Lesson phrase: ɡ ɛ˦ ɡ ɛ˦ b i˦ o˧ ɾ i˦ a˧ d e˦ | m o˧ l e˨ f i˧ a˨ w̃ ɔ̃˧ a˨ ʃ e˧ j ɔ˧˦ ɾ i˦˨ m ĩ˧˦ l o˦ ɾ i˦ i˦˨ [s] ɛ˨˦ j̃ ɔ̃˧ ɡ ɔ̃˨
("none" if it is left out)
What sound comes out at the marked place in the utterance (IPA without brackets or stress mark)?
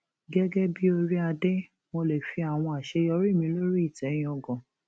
t